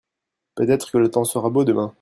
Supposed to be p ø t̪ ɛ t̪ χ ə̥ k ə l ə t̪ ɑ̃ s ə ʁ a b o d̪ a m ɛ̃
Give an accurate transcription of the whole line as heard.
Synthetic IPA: p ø t̪ ɛ t̪ χ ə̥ k ə l ə t̪ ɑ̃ s ə ʁ a b o d̪ ə m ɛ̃

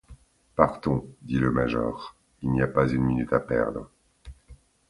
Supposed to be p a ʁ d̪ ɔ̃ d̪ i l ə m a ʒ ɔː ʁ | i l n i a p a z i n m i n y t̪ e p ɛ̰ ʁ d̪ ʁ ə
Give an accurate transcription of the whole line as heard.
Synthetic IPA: p a ʁ t̪ ɔ̃ d̪ i l ə m a ʒ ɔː ʁ | i l n i a p a z y n m i n y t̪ a p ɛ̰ ʁ d̪ ʁ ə

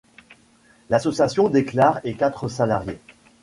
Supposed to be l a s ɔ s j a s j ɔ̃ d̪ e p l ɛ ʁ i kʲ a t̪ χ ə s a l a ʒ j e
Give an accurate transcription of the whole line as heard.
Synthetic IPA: l a s ɔ s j a s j ɔ̃ d̪ e k l a ʁ e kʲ a t̪ χ ə s a l a ʁ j e

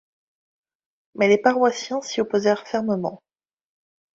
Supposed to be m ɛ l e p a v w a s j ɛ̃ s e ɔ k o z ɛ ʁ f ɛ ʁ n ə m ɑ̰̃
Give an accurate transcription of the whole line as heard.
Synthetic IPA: m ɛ l e p a ʁ w a s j ɛ̃ s i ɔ p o z ɛ ʁ f ɛ ʁ m ə m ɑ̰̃

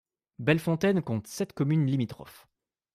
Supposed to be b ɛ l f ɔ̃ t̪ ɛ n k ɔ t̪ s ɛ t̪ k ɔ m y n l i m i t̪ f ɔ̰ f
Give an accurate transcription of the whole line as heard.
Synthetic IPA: b ɛ l f ɔ̃ t̪ ɛ n k ɔ̃ t̪ s ɛ t̪ k ɔ m y n l i m i t̪ χ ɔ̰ f

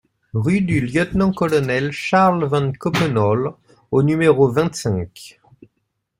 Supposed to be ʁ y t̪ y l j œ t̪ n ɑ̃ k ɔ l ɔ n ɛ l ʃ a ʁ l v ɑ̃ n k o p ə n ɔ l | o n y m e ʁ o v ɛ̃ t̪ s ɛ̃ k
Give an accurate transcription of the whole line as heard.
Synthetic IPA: ʁ y d̪ y l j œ t̪ n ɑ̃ k ɔ l ɔ n ɛ l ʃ a ʁ l v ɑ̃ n k ɔ p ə n ɔ l | o n y m e ʁ o v ɛ̃ t̪ s ɛ̃ k

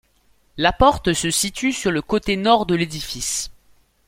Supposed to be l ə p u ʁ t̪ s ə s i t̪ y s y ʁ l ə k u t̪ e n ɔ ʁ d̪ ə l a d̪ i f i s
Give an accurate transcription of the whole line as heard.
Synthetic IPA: l a p ɔ ʁ t̪ s ə s i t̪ y s y ʁ l ə k o t̪ e n ɔ ʁ d̪ ə l e d̪ i f i s

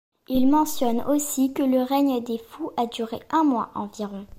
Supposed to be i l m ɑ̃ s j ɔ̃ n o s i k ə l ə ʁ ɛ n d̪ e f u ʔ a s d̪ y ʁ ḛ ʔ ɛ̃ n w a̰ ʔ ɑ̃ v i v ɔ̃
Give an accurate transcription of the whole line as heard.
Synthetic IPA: i l m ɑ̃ s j ɔ n o s i k ə l ə ʁ ɛ ɲ d̪ e f u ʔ a d̪ y ʁ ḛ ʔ ɛ̃ m w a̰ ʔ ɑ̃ v i ʁ ɔ̃

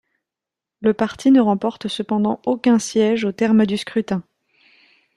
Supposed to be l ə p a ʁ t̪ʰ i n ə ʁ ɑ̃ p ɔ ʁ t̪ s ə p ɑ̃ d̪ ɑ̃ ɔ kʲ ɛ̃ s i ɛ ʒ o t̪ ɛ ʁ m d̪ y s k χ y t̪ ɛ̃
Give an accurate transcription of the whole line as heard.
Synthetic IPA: l ə p a ʁ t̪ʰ i n ə ʁ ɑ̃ p ɔ ʁ t̪ s ə p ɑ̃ d̪ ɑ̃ o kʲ ɛ̃ s j ɛ ʒ o t̪ ɛ ʁ m d̪ y s k χ y t̪ ɛ̃

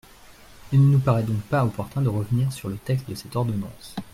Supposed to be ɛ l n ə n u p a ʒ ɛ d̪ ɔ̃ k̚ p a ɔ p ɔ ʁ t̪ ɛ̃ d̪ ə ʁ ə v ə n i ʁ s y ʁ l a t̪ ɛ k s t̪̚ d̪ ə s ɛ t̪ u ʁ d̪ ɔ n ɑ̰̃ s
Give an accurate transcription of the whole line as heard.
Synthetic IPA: i l n ə n u p a ʁ ɛ d̪ ɔ̃ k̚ p a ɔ p ɔ ʁ t̪ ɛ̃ d̪ ə ʁ ə v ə n i ʁ s y ʁ l ə t̪ ɛ k s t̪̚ d̪ ə s ɛ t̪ ɔ ʁ d̪ ɔ n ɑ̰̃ s

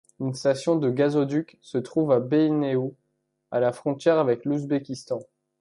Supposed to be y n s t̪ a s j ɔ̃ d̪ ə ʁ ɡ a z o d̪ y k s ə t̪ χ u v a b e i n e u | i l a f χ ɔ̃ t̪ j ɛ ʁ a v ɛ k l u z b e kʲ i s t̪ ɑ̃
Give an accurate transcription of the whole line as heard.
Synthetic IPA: y n s t̪ a s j ɔ̃ d̪ ə ɡ a z o d̪ y k s ə t̪ χ u v a b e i n e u | a l a f χ ɔ̃ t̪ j ɛ ʁ a v ɛ k l u z b e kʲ i s t̪ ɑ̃

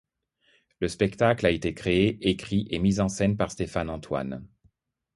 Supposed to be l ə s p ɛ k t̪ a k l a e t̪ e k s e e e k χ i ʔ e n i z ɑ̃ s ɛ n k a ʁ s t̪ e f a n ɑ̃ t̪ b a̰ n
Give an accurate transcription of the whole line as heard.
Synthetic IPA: l ə s p ɛ k t̪ a k l a e t̪ e k χ e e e k χ i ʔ e m i z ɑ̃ s ɛ n p a ʁ s t̪ e f a n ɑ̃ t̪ w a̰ n

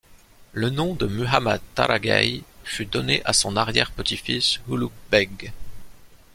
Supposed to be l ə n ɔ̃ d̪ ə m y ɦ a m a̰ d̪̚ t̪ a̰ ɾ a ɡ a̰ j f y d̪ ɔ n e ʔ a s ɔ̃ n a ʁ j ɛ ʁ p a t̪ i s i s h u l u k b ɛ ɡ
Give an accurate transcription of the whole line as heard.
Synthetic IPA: l ə n ɔ̃ d̪ ə m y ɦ a m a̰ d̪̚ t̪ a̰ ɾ a ɡ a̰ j f y d̪ ɔ n e ʔ a s ɔ̃ n a ʁ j ɛ ʁ p ə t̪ i f i s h u l u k b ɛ ɡ

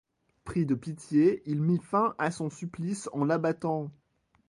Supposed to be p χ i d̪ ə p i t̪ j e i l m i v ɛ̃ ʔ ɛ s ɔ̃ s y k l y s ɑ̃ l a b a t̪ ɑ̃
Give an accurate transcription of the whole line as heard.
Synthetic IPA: p χ i d̪ ə p i t̪ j e i l m i f ɛ̃ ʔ a s ɔ̃ s y p l i s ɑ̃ l a b a t̪ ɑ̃

